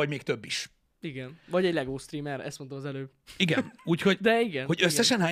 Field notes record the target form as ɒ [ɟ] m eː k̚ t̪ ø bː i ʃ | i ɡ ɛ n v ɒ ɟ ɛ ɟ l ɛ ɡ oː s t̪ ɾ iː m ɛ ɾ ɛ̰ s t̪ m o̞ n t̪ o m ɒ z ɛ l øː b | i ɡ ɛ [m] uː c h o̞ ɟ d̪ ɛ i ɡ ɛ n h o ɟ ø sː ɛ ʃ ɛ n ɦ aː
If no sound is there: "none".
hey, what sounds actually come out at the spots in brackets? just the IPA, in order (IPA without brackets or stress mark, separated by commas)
ɟ, n